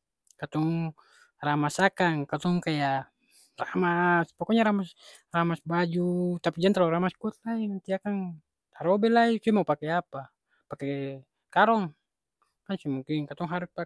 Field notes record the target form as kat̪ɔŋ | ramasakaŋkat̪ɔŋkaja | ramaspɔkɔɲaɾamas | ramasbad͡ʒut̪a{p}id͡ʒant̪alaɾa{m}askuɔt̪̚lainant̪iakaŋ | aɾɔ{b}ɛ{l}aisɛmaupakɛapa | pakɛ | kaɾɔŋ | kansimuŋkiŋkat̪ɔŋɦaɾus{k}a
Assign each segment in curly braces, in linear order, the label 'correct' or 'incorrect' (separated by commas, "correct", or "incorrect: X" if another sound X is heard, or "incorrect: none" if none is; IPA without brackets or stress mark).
correct, correct, correct, correct, incorrect: p